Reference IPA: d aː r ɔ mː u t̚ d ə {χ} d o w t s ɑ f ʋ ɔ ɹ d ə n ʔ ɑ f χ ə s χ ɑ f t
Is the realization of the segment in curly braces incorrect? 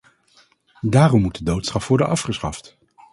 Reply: yes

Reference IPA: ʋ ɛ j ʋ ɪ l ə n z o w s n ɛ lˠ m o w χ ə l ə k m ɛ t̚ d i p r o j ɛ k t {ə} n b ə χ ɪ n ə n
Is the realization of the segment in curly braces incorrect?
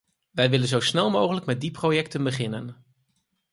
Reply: no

